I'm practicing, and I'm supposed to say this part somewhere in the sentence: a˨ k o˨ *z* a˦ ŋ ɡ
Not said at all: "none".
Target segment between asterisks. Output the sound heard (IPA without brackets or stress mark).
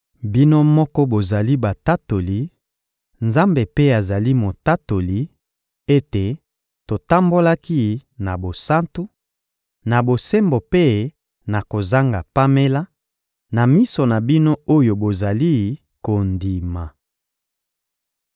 z